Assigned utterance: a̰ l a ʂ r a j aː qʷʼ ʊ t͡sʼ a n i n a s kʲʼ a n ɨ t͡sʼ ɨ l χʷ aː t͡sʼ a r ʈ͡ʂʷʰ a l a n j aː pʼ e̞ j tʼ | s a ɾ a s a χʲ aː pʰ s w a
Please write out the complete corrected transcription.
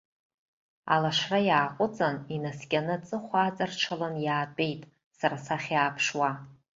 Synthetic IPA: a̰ l a ʂ r a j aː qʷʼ ʊ t͡sʼ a n i n a s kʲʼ a n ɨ t͡sʼ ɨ χʷ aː t͡sʼ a r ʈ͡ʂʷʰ a l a n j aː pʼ e̞ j tʼ | s a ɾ a s a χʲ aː pʰ ʂ w a